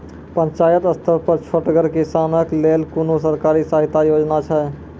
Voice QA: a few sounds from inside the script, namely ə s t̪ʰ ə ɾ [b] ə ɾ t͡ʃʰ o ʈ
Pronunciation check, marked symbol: incorrect: p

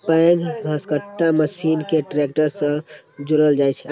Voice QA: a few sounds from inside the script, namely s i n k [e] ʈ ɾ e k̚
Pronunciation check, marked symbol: correct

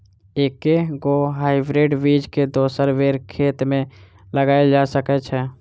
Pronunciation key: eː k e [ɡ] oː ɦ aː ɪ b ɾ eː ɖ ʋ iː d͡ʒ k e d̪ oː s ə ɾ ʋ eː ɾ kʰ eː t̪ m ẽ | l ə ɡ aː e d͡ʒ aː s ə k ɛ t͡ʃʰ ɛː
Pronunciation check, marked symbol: correct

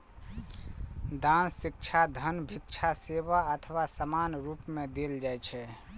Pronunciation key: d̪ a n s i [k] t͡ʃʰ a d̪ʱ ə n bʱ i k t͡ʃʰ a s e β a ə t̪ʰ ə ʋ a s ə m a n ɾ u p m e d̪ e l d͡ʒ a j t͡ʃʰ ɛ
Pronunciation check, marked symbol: correct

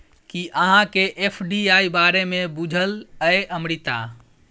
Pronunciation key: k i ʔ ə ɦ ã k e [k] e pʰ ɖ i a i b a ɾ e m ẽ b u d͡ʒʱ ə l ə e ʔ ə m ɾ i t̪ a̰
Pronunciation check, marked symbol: incorrect: ʔ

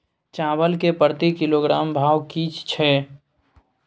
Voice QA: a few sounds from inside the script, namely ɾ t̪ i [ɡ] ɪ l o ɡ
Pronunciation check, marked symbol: incorrect: k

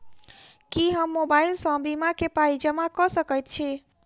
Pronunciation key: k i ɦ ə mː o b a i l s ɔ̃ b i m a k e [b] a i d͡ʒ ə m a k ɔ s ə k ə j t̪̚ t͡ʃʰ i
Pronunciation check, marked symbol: incorrect: p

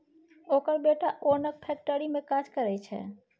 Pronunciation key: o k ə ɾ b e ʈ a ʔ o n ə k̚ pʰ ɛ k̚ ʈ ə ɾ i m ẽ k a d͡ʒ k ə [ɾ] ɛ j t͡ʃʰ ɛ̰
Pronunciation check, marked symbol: correct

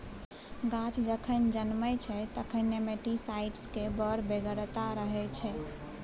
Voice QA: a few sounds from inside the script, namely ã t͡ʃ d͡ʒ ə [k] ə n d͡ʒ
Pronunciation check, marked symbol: incorrect: kʰ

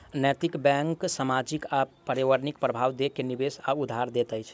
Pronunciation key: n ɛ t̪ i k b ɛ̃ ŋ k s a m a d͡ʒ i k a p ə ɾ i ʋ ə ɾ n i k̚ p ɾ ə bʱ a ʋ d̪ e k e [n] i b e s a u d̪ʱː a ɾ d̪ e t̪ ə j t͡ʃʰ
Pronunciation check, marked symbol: correct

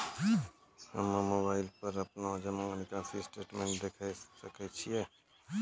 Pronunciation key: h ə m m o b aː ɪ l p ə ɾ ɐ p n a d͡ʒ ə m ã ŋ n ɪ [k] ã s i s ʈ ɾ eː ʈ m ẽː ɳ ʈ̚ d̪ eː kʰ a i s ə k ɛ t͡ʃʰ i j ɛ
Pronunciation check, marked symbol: correct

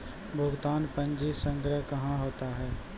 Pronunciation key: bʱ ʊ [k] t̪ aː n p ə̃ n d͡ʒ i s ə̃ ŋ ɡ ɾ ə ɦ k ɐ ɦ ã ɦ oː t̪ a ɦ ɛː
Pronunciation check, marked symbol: incorrect: ɡ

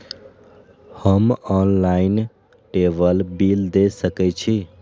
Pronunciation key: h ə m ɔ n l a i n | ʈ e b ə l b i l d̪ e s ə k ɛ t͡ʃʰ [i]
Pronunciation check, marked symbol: correct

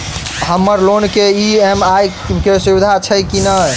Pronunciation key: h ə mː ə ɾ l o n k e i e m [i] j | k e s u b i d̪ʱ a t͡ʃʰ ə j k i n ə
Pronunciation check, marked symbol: incorrect: a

